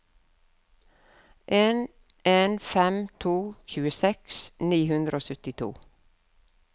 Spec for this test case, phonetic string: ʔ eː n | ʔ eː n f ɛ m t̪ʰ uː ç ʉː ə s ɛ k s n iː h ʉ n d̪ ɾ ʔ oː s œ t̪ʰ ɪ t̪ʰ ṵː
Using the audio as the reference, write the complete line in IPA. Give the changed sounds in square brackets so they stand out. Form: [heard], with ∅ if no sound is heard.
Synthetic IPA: ʔ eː n | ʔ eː n f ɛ m t̪ʰ uː ç ʉː ə s ɛ k s n iː h ʉ n d̪ ɾ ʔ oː s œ [t̪] ɪ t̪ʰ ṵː